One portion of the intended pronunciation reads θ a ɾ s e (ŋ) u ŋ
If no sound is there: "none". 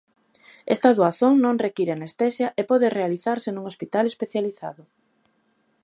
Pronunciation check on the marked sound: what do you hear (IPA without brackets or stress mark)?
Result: n